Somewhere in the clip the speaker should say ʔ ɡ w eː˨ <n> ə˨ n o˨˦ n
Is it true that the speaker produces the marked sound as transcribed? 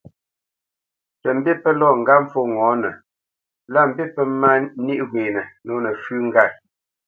yes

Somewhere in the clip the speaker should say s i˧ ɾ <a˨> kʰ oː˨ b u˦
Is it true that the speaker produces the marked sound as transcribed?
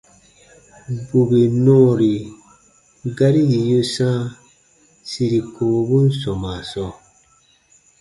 no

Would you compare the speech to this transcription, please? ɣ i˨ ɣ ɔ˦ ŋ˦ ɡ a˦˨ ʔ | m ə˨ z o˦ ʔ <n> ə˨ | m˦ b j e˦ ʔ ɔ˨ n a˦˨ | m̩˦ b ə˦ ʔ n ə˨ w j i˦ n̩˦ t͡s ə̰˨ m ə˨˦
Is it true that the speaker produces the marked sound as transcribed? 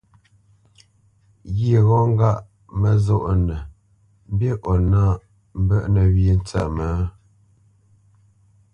yes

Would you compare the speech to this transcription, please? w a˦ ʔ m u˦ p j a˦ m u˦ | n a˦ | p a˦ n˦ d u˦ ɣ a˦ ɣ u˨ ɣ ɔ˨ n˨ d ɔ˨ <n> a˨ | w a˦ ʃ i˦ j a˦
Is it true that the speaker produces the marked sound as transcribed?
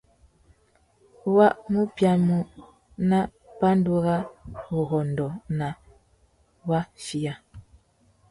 yes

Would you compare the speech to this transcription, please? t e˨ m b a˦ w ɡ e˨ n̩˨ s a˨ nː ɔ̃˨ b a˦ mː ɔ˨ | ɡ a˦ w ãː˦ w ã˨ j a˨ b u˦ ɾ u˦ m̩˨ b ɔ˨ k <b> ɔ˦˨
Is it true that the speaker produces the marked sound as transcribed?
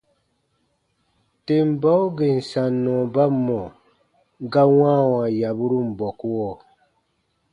no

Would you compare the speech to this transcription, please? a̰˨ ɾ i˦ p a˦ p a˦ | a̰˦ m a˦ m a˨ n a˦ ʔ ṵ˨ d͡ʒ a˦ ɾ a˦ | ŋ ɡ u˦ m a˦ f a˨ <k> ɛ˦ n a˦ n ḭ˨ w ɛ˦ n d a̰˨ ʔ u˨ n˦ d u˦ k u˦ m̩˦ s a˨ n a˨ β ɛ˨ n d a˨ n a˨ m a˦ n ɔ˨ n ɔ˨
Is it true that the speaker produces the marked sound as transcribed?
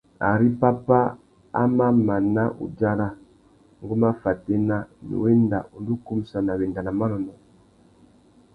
no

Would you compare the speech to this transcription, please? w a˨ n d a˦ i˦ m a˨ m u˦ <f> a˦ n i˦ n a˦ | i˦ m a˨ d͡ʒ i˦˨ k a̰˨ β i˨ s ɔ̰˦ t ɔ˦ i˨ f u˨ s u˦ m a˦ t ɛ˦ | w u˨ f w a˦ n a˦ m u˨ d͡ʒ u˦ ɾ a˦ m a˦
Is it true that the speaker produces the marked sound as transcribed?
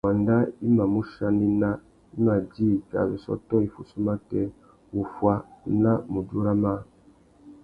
no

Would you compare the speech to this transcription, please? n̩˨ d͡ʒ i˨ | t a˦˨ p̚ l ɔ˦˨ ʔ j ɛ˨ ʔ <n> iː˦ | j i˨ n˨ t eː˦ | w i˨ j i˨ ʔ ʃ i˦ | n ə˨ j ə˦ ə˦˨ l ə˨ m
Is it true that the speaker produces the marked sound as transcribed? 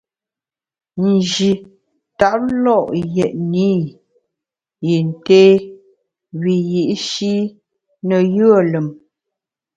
yes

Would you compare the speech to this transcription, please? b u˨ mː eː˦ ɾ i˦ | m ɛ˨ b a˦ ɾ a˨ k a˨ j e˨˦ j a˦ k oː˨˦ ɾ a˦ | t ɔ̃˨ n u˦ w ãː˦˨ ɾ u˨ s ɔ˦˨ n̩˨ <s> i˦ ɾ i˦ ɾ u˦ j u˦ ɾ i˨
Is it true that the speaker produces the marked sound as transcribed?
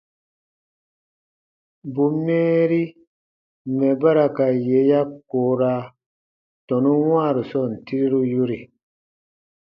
no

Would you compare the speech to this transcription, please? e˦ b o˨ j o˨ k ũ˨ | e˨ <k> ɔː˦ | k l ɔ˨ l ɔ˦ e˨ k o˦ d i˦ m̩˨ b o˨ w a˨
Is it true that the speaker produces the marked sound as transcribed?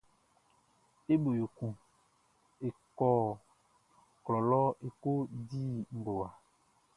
yes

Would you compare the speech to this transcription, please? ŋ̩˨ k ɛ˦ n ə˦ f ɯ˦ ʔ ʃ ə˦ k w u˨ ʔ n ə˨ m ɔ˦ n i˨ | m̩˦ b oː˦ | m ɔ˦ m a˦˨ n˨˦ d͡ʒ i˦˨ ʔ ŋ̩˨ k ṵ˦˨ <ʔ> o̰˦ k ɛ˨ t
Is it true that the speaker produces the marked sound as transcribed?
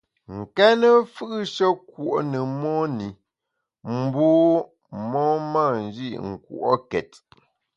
yes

